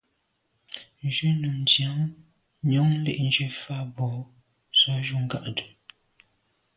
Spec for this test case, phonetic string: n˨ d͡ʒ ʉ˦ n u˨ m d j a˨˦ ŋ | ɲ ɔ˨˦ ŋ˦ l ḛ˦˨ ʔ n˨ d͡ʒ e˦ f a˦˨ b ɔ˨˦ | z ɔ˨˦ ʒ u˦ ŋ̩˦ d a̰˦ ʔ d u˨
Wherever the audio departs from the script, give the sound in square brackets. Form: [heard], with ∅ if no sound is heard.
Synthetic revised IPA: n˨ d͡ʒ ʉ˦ n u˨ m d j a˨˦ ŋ | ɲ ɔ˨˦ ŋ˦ l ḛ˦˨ ʔ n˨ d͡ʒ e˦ f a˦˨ b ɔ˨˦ | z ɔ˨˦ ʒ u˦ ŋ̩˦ [ɡ] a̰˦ ʔ d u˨